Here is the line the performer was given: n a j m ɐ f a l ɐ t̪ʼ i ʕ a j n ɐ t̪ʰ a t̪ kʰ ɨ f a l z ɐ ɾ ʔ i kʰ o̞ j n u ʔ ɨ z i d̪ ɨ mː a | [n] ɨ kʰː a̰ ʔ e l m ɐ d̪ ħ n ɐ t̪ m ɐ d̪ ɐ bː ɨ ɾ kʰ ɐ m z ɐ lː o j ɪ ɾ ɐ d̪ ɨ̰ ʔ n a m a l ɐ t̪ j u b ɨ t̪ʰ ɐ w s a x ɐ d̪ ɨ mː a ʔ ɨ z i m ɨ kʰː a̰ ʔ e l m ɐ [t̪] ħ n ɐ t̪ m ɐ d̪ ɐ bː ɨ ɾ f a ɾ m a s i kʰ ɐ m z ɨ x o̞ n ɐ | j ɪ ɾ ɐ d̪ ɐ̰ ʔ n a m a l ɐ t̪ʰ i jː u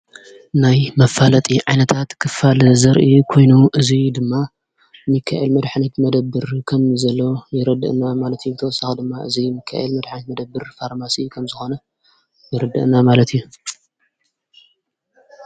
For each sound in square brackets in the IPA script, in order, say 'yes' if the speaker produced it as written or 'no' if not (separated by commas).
no, no